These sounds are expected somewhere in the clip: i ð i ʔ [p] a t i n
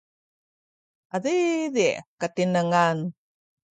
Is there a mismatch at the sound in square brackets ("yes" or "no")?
yes